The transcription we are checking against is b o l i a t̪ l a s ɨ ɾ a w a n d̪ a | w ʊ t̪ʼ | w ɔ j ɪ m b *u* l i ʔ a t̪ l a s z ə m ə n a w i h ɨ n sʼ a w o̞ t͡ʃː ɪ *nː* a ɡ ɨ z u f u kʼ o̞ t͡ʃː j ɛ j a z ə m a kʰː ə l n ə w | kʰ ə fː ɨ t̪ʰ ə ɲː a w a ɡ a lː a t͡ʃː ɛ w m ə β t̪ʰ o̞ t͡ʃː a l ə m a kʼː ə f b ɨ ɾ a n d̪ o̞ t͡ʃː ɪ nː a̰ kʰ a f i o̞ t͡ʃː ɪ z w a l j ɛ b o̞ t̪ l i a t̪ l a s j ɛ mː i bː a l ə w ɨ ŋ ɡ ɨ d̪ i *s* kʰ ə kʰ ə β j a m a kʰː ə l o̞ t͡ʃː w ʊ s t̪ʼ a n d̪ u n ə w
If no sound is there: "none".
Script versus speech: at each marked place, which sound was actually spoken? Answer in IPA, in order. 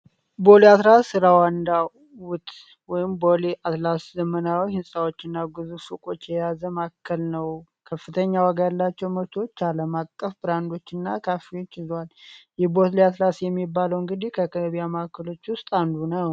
o, nː, h

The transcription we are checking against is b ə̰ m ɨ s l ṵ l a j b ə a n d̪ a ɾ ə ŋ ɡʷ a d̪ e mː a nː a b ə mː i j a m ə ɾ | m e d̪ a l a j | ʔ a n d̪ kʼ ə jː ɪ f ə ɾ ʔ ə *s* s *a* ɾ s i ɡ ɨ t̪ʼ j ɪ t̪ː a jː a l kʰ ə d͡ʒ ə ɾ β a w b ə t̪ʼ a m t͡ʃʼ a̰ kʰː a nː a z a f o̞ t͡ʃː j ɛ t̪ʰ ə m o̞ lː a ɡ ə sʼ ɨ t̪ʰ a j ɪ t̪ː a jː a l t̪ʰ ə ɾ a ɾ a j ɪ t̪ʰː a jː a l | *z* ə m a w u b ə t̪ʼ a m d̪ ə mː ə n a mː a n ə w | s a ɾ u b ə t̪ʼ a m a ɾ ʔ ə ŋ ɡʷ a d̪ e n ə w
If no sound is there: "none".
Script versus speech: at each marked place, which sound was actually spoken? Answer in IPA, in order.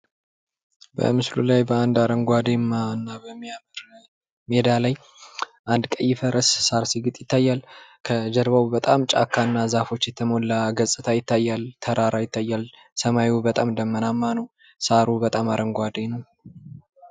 s, a, s

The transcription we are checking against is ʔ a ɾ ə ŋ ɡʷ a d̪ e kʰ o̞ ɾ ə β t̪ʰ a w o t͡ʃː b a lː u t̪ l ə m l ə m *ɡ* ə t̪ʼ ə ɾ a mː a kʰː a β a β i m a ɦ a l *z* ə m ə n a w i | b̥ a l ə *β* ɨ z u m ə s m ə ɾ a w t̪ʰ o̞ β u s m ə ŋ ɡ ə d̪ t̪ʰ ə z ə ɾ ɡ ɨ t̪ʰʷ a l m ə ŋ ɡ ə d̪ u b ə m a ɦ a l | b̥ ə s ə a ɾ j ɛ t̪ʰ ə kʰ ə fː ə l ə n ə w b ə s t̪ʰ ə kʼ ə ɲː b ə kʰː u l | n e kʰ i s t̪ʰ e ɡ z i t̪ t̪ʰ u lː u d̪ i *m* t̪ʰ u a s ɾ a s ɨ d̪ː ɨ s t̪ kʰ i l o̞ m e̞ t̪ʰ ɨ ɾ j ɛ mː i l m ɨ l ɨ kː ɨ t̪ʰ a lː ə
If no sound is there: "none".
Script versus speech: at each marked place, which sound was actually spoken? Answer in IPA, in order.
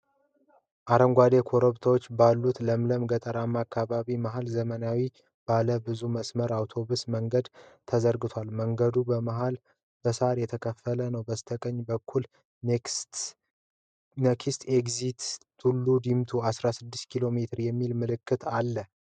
ɡ, z, b, m

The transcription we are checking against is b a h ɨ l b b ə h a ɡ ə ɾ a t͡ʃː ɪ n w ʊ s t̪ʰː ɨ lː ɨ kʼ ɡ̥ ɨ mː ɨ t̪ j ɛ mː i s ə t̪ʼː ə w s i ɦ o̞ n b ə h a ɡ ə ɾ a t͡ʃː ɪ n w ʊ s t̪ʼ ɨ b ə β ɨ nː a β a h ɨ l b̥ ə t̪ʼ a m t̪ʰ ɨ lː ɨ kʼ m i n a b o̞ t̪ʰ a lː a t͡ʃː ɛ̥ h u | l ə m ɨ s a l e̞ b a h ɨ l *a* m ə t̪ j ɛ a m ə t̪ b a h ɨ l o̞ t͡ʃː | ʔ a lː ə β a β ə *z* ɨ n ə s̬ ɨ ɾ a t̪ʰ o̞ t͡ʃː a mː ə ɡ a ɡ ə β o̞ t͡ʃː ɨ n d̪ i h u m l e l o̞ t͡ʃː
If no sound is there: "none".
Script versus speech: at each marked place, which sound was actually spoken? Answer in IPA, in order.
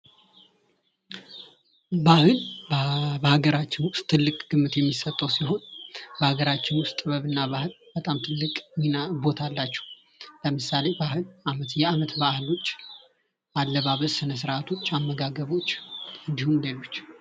a, s

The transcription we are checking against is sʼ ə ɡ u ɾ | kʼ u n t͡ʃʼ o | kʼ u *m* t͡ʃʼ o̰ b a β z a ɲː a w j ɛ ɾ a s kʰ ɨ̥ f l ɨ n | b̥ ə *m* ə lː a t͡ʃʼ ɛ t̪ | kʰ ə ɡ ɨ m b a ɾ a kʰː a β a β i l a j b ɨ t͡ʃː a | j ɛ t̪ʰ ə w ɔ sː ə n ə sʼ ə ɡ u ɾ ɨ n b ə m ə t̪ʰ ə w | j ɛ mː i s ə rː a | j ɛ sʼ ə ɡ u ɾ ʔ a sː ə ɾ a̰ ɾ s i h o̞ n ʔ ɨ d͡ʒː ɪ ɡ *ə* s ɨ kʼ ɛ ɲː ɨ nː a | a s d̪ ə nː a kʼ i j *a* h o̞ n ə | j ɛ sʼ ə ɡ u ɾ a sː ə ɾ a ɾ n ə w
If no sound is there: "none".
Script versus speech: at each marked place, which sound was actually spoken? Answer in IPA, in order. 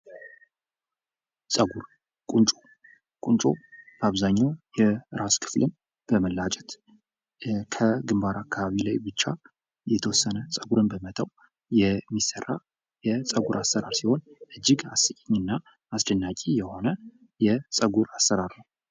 n, m, a, ɛ

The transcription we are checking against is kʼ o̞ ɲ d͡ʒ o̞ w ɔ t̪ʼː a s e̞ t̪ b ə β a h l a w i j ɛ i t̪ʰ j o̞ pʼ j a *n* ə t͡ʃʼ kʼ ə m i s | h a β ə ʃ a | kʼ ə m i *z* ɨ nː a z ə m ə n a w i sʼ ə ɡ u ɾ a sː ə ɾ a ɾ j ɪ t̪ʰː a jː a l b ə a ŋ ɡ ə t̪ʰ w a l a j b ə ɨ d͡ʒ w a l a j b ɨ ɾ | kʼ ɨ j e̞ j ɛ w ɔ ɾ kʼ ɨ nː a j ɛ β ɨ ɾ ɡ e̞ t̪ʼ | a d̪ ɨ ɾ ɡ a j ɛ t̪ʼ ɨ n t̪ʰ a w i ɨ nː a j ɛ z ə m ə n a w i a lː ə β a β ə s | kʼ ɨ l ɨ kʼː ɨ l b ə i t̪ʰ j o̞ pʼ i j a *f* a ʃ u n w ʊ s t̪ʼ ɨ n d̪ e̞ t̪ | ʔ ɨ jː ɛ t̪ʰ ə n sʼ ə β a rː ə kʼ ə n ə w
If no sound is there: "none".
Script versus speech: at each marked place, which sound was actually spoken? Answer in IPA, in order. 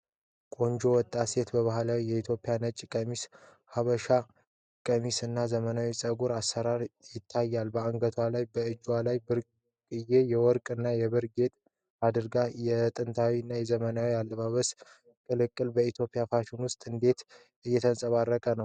n, s, f

